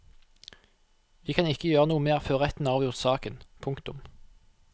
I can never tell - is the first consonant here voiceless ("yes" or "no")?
no